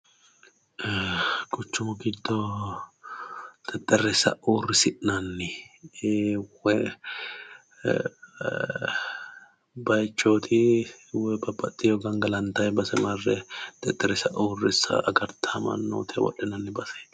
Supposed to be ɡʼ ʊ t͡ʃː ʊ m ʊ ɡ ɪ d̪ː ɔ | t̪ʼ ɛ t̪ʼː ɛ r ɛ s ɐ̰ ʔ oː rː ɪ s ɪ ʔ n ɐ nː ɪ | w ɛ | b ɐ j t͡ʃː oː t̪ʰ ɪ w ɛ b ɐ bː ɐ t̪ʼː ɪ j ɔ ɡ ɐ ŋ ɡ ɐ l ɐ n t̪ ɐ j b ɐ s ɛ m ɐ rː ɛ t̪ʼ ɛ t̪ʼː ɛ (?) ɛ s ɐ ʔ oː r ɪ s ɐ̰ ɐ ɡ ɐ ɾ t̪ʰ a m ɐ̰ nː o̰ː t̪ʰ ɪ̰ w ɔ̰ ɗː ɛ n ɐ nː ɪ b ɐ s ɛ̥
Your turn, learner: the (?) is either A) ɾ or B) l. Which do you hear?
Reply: A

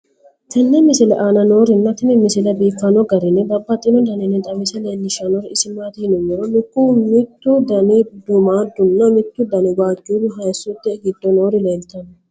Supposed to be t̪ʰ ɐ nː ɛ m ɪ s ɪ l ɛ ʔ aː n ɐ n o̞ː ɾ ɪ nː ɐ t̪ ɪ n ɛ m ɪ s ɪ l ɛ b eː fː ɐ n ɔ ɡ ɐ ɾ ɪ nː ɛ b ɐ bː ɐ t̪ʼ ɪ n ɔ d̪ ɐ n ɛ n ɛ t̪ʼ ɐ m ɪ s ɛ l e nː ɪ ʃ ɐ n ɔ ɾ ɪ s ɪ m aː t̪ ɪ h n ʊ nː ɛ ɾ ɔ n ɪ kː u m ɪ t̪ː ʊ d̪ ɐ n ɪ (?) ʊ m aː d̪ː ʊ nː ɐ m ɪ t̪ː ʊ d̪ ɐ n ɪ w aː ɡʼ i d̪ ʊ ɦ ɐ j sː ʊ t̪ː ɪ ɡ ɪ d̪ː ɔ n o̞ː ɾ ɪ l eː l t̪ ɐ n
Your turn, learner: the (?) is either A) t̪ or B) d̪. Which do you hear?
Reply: B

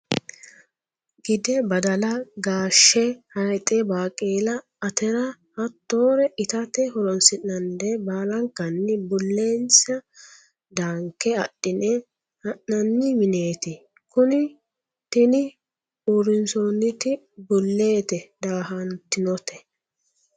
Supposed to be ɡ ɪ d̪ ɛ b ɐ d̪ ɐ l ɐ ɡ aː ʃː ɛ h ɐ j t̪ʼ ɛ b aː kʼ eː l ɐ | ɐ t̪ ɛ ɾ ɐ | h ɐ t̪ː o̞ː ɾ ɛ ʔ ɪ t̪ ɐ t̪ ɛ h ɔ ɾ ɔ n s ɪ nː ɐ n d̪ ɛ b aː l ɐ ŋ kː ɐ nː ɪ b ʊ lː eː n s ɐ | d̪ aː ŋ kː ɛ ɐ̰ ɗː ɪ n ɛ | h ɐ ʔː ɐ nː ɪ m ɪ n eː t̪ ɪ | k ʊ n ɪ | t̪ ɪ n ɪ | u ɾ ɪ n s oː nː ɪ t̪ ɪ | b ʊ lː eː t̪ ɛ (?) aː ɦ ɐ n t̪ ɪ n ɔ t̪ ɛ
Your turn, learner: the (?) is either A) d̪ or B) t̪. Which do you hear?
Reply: A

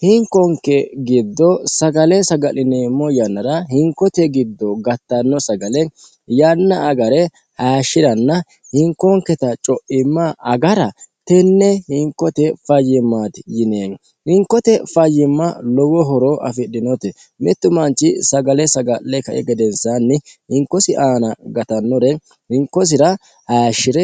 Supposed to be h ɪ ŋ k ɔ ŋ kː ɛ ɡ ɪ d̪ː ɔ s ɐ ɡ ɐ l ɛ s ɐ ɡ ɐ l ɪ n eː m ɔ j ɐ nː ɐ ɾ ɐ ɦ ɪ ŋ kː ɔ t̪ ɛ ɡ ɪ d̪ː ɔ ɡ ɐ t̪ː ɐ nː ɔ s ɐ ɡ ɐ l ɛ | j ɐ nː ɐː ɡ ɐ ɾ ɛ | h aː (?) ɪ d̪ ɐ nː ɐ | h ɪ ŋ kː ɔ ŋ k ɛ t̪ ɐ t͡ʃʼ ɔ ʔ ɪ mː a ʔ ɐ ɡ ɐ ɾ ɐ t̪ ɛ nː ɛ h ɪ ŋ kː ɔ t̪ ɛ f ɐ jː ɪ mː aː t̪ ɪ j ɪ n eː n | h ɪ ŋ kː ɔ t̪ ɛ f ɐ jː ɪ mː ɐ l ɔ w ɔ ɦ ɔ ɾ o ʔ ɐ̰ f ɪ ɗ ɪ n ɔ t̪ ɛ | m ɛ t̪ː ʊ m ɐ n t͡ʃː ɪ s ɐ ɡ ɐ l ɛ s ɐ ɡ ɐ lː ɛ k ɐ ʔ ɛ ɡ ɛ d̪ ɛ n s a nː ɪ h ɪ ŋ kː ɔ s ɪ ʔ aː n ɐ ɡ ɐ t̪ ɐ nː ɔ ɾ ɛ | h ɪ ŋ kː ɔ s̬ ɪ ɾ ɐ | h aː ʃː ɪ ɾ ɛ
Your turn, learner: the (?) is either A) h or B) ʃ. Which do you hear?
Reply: B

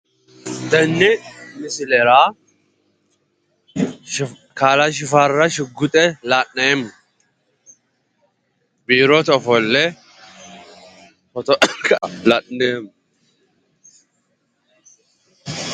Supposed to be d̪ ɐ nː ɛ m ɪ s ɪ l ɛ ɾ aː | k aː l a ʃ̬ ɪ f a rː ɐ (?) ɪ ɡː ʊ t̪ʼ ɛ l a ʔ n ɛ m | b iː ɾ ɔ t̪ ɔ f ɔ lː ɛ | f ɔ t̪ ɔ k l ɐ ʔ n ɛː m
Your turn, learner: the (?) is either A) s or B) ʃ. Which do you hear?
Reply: B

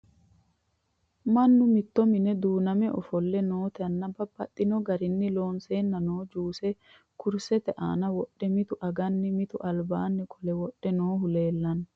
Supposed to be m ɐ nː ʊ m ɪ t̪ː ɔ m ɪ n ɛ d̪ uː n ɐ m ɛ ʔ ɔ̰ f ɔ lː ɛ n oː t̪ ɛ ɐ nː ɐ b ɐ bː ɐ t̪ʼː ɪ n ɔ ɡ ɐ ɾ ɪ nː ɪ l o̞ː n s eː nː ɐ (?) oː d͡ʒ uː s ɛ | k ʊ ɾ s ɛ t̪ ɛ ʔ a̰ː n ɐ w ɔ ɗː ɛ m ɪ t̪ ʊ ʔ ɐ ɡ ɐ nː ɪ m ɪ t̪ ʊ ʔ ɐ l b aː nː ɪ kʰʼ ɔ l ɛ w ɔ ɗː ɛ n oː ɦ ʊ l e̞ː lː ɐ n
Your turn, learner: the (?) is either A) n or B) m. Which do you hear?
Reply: A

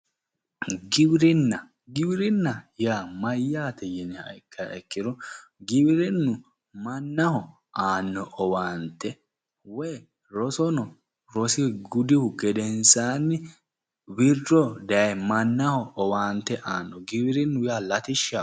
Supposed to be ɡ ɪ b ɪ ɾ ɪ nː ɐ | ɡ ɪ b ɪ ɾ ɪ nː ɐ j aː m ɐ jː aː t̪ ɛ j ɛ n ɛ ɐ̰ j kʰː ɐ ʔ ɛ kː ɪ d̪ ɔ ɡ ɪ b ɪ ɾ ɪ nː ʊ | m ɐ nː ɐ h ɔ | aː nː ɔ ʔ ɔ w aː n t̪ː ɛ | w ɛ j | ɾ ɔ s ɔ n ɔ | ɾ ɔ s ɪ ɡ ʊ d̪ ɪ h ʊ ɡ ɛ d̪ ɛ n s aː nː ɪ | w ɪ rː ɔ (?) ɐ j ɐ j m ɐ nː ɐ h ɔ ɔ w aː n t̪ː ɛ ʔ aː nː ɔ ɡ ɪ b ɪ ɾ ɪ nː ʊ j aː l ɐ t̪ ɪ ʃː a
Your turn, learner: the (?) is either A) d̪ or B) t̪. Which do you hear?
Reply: A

